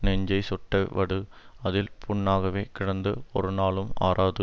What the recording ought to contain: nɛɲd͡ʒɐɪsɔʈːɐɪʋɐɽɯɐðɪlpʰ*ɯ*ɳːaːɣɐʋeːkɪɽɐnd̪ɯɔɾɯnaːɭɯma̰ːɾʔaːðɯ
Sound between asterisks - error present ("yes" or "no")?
yes